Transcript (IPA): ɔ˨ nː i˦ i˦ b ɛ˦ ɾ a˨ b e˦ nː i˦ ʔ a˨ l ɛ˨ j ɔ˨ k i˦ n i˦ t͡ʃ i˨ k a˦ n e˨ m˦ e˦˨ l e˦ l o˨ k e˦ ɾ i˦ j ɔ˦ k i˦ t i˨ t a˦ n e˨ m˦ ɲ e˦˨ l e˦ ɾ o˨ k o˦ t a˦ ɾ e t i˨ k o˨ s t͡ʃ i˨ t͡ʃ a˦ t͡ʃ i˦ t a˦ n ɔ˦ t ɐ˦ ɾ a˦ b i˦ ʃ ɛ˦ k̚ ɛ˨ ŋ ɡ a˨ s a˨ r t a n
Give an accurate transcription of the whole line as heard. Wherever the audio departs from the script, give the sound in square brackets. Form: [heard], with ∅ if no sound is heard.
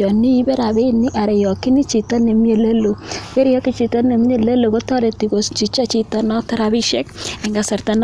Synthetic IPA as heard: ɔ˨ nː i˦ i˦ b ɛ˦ ɾ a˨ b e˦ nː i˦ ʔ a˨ [ɾ] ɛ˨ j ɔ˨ k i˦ n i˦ t͡ʃ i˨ [t] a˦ n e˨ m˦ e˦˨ l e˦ l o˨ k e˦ ɾ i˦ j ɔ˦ k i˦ [t͡ʃ] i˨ t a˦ n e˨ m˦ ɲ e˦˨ l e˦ [l] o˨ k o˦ t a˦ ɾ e t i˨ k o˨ s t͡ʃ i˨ t͡ʃ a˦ t͡ʃ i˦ t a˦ n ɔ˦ t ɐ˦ ɾ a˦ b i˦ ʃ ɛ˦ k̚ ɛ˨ ŋ ɡ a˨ s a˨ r t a n